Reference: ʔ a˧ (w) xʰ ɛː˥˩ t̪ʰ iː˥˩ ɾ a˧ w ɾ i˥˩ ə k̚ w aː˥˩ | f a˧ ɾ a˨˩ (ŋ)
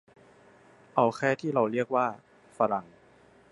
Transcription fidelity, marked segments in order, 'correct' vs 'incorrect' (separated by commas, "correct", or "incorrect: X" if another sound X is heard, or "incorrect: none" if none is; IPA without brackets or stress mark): correct, correct